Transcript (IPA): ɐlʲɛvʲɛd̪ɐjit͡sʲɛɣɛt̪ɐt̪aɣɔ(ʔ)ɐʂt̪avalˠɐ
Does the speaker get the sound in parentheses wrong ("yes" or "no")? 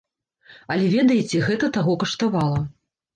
yes